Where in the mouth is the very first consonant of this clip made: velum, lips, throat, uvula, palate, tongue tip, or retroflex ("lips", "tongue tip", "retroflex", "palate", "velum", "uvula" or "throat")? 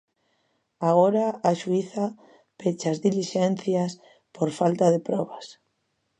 velum